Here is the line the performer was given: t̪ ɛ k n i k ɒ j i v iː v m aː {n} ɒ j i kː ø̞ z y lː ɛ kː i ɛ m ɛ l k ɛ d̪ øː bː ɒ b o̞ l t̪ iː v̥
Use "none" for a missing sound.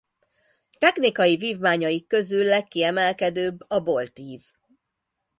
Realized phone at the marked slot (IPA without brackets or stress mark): ɲ